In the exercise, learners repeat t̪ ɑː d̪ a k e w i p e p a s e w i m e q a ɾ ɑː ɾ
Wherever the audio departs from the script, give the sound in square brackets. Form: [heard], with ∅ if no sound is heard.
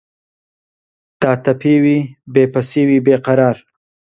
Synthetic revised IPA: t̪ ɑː [t̪] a [p] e w i [b] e p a s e w i [b] e q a ɾ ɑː ɾ